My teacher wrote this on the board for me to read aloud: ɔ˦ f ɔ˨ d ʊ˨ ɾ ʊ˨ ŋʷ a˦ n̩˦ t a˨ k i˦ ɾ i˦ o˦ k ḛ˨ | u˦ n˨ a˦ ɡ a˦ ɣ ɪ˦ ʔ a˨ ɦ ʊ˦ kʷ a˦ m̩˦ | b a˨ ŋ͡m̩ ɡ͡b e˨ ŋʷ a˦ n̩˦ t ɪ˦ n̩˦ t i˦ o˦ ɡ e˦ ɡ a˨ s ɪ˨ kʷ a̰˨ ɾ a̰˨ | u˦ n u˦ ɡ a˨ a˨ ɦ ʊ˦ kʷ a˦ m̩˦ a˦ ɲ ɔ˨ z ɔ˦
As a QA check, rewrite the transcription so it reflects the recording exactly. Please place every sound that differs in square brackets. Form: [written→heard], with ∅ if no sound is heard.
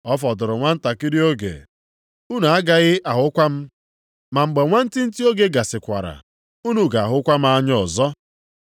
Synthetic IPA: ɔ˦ f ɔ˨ d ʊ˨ ɾ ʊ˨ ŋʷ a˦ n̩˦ t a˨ k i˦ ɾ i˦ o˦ [k→ɡ] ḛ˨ | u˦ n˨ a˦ ɡ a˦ ɣ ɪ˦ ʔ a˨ ɦ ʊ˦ kʷ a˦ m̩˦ | [b→m] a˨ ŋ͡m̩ ɡ͡b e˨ ŋʷ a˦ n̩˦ t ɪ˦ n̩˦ t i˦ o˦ ɡ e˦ ɡ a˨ s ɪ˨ kʷ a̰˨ ɾ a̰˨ | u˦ n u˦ ɡ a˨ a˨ ɦ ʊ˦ kʷ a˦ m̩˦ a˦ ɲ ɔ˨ z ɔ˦